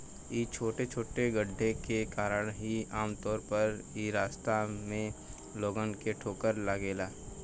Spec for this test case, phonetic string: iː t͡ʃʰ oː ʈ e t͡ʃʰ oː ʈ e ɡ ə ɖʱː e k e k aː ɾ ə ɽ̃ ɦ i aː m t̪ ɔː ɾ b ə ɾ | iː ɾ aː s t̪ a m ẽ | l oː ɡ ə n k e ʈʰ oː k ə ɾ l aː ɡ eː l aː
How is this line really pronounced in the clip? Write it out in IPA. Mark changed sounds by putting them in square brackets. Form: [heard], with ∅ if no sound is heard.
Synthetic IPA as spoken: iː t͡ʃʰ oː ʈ e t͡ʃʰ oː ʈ e ɡ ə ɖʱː e k e k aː ɾ ə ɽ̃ ɦ i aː m t̪ ɔː ɾ [p] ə ɾ | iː ɾ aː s t̪ a m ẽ | l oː ɡ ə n k e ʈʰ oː k ə ɾ l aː ɡ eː l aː